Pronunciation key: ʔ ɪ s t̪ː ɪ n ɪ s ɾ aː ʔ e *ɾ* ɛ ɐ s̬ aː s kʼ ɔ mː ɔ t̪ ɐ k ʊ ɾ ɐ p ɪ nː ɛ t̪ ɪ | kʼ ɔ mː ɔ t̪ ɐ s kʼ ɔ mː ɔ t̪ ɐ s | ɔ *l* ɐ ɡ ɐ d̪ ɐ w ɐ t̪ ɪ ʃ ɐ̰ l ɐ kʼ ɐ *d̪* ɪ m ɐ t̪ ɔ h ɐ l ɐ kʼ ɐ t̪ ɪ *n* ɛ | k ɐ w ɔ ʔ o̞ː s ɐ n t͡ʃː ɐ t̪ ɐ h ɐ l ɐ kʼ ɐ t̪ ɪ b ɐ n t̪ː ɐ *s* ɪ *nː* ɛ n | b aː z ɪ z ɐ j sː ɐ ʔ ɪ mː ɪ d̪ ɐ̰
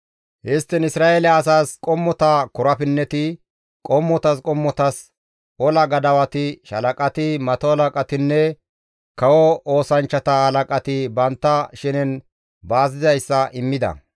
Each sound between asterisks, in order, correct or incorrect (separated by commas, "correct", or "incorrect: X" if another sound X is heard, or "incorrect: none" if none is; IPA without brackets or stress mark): incorrect: l, correct, incorrect: t̪, incorrect: nː, incorrect: ʃ, incorrect: n